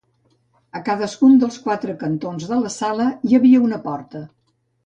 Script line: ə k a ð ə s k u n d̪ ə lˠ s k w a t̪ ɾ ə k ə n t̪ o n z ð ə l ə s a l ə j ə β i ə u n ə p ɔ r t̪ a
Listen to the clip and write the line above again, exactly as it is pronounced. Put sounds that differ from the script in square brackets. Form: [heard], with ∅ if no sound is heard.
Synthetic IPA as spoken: ə k a ð ə s k u n d̪ ə lˠ s k w a t̪ ɾ ə k ə n t̪ o n z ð ə l ə s a l ə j ə β i ə u n ə p ɔ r t̪ [ə]